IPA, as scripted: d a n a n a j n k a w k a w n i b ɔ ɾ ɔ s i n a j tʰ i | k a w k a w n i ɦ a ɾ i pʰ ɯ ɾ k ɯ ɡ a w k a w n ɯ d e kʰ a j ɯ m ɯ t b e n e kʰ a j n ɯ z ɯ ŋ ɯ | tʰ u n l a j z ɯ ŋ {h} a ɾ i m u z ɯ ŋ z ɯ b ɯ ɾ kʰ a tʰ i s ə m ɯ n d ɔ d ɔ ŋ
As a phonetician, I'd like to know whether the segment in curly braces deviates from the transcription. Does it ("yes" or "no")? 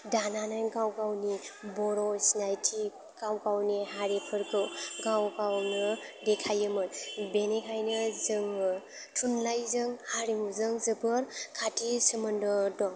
no